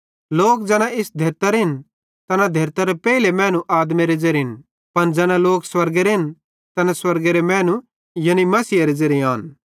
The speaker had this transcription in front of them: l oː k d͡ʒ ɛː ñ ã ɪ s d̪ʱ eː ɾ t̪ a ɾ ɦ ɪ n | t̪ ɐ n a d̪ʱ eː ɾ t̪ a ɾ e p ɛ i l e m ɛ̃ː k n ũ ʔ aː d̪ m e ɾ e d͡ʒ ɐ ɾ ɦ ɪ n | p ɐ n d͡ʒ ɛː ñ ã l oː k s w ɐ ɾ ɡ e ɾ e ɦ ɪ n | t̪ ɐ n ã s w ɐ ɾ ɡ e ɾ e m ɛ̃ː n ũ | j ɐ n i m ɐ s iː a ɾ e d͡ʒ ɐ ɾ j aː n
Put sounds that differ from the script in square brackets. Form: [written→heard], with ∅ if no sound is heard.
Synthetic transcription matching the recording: l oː k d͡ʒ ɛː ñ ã ɪ s d̪ʱ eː ɾ t̪ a ɾ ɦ ɪ n | t̪ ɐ n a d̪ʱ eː ɾ t̪ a ɾ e p ɛ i l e m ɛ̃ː [k→∅] n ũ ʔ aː d̪ m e ɾ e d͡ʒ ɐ ɾ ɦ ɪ n | p ɐ n d͡ʒ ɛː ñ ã l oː k s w ɐ ɾ ɡ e ɾ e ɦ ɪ n | t̪ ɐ n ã s w ɐ ɾ ɡ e ɾ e m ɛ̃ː n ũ | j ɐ n i m ɐ s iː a ɾ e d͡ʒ ɐ ɾ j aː n